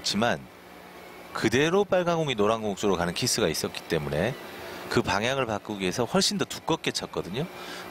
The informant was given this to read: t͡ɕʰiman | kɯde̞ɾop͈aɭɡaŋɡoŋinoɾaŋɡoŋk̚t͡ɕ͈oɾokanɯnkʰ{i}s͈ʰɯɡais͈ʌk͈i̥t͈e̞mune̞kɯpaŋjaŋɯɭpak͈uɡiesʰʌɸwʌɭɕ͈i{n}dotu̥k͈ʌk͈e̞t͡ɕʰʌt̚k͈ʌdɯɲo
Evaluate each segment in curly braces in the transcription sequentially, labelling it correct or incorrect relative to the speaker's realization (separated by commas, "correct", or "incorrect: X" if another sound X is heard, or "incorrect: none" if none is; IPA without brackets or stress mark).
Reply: correct, correct